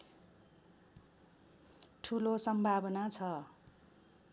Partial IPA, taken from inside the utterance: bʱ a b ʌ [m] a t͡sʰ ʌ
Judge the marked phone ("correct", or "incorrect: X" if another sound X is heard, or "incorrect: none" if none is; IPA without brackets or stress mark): incorrect: n